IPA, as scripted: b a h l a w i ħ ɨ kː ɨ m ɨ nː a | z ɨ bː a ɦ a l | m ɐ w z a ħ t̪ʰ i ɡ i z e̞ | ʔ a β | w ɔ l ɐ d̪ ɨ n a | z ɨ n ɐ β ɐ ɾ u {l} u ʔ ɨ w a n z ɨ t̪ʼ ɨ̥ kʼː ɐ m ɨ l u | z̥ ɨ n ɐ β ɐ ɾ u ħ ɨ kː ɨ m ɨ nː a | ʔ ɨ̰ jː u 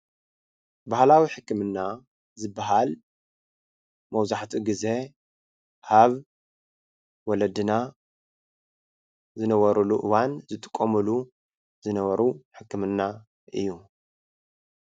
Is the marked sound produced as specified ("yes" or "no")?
yes